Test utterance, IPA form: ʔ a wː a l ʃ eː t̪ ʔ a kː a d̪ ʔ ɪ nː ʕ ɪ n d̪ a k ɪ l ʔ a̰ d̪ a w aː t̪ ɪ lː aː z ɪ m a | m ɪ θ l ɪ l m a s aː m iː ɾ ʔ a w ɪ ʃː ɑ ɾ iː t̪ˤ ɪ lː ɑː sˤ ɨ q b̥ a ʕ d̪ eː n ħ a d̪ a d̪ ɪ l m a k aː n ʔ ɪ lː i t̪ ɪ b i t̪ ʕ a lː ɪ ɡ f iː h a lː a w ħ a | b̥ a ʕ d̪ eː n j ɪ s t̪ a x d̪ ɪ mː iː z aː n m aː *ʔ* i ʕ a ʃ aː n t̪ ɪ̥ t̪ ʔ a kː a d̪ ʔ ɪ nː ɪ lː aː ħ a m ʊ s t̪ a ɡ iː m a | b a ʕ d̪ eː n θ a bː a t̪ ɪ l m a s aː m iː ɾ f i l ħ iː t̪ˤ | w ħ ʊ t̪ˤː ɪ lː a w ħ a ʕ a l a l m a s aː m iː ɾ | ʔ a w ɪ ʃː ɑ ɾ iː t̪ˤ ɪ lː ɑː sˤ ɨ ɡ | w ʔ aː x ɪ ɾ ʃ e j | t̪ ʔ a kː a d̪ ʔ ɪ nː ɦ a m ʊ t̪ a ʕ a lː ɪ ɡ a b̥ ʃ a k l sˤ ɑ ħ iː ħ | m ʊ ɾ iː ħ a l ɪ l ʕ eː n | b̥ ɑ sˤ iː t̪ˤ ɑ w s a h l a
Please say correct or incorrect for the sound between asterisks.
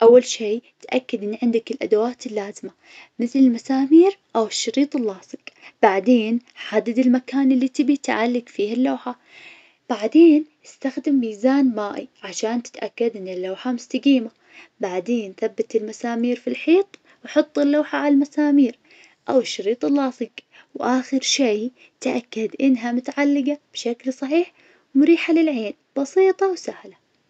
correct